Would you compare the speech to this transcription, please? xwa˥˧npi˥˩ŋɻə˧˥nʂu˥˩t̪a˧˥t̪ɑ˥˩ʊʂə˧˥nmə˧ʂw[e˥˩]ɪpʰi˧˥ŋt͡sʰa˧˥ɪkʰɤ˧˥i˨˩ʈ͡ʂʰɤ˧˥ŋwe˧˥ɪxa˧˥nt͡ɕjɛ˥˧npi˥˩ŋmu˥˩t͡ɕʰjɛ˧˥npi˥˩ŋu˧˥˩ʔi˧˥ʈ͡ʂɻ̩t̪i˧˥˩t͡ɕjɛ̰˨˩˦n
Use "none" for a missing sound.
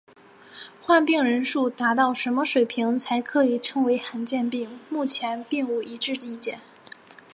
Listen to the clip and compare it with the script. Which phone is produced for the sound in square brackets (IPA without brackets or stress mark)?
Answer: e˨˩